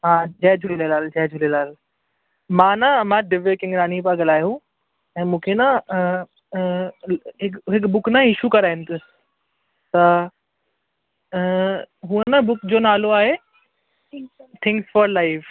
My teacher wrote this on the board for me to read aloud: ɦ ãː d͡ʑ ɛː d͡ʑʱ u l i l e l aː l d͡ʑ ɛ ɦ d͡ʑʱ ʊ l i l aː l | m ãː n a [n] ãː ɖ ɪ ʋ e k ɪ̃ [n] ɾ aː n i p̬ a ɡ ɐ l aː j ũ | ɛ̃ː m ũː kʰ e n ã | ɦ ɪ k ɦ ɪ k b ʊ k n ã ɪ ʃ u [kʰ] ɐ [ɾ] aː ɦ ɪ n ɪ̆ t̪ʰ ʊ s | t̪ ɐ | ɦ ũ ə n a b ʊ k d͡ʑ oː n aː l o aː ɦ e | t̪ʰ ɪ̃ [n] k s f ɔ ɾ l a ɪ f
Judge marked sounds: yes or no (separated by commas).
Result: no, no, no, yes, no